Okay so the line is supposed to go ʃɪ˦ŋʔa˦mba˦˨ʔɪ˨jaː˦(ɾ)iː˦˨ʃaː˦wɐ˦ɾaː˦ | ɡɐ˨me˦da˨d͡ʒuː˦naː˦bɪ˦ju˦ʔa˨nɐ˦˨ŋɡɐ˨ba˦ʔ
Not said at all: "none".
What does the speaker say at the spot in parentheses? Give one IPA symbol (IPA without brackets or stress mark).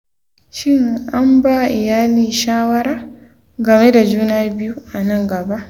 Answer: l